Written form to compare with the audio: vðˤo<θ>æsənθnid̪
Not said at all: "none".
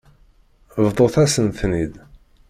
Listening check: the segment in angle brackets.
θ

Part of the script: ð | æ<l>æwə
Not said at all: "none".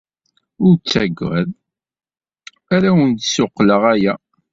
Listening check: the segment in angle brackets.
ɾ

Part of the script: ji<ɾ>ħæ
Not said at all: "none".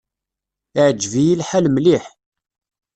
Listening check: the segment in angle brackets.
l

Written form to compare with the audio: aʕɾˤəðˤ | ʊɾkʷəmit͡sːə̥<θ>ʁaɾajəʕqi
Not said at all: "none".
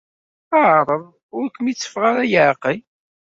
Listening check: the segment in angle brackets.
f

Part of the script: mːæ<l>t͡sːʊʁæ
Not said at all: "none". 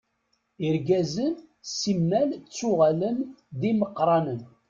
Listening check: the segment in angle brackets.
l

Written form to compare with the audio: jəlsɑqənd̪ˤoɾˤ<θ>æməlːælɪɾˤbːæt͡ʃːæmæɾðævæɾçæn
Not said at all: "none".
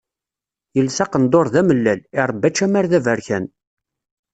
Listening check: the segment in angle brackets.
ð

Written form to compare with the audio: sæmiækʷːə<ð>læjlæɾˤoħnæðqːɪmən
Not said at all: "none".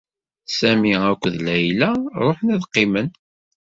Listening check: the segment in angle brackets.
ð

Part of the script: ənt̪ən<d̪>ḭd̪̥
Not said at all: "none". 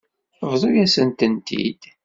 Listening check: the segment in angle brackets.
t̪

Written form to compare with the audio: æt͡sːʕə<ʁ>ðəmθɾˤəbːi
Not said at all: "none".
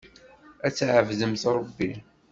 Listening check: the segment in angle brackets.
v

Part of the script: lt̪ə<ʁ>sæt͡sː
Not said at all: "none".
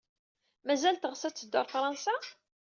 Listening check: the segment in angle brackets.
ʁ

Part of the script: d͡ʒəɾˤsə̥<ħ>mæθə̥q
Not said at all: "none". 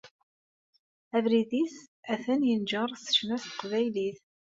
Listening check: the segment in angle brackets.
ʃ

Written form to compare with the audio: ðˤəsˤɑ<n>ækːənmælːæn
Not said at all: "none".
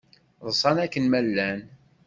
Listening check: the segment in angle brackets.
n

